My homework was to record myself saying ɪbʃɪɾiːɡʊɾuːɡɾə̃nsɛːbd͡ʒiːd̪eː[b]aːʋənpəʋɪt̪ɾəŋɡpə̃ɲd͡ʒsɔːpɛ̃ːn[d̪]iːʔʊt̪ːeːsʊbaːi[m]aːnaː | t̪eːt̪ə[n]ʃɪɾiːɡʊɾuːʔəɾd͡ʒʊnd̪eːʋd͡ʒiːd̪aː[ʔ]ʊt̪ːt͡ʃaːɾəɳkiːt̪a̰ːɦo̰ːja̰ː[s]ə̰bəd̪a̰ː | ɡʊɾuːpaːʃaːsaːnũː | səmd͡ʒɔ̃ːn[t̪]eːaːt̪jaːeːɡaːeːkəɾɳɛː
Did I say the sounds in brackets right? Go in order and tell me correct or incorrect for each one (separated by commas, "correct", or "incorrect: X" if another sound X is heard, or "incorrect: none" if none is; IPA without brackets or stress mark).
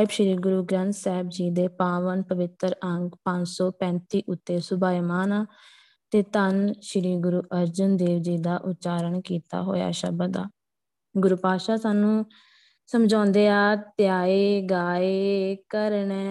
incorrect: p, incorrect: t̪, correct, correct, correct, incorrect: ʃ, incorrect: d̪